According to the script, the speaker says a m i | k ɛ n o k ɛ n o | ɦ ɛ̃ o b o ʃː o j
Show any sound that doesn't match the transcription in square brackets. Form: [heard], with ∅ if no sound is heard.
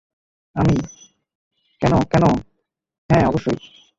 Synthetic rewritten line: a m i | k ɛ n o k ɛ n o | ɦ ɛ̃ [ɔ] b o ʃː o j